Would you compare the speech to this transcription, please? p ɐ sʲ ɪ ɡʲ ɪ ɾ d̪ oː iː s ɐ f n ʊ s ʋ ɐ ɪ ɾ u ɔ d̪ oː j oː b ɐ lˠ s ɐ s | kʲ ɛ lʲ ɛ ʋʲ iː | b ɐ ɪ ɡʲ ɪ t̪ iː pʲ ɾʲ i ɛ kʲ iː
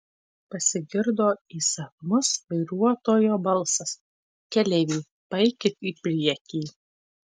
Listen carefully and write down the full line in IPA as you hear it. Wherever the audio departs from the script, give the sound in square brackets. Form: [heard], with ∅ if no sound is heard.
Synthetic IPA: p ɐ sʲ ɪ ɡʲ ɪ ɾ d̪ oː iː s ɐ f [m] ʊ s ʋ ɐ ɪ ɾ u ɔ [t̪] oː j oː b ɐ lˠ s ɐ s | kʲ ɛ lʲ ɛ ʋʲ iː | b ɐ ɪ [kʲ] ɪ t̪ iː pʲ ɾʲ i ɛ kʲ iː